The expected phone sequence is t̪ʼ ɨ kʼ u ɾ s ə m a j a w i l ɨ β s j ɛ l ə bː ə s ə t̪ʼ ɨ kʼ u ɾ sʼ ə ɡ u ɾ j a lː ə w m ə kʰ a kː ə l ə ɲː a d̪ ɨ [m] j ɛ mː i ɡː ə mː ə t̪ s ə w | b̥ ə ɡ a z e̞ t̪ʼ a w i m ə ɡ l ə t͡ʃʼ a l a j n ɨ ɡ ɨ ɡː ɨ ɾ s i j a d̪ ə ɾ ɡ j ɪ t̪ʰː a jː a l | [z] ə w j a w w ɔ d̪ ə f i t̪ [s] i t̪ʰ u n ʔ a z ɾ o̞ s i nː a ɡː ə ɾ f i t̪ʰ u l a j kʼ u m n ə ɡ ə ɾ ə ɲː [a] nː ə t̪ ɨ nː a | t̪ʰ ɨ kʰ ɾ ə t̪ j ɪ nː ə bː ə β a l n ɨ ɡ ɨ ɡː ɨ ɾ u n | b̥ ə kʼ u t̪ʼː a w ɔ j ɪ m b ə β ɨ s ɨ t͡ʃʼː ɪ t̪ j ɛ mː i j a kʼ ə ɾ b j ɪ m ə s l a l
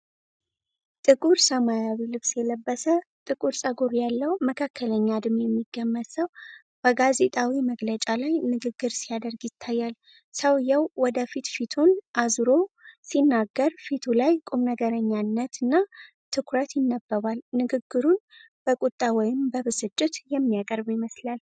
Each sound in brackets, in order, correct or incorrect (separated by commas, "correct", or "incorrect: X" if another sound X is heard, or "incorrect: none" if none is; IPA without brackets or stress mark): correct, incorrect: s, incorrect: f, correct